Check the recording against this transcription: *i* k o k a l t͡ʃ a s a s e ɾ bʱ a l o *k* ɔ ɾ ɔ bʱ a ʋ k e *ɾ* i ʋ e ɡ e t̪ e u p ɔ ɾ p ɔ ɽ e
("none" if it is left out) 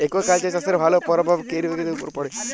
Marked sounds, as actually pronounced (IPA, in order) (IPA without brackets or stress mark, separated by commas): e, p, ɾ